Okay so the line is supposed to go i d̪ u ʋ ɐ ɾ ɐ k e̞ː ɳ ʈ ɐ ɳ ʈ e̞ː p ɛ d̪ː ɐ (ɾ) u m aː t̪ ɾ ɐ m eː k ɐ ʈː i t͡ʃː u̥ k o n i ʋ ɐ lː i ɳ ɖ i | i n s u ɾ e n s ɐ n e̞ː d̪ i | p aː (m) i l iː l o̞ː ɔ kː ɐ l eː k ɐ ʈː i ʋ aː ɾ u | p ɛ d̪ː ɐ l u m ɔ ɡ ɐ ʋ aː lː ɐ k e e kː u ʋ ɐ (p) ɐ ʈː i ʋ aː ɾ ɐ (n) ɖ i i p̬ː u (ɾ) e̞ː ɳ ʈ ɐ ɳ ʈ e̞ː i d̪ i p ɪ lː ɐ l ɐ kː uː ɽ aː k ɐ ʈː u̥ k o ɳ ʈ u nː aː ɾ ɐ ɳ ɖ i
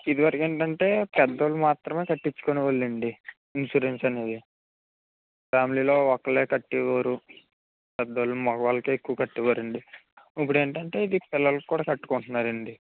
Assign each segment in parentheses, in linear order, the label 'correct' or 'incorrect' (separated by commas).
incorrect, correct, incorrect, incorrect, incorrect